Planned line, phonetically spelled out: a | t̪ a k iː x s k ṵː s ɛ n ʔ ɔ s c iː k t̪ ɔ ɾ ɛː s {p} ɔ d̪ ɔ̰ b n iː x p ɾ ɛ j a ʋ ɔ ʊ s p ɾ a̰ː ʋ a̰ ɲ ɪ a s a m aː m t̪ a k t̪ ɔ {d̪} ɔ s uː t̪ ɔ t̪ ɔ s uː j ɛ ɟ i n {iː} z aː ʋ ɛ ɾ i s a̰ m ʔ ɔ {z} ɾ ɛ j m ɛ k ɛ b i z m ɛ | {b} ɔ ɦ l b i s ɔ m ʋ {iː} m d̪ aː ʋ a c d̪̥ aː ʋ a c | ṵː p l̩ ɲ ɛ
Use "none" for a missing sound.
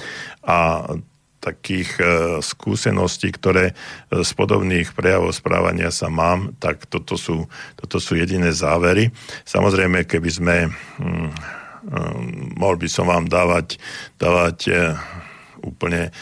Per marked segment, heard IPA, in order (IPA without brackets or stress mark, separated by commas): p, t̪, ɛː, z, m, aː